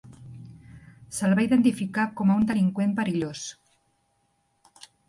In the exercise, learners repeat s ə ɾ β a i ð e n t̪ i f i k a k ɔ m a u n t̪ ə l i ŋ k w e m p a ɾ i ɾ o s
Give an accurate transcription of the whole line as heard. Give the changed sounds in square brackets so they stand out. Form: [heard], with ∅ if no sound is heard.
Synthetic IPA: s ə [l] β a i ð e n t̪ i f i k a k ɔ m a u n [d̪] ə l i ŋ k w e m p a ɾ i [ʎ] o s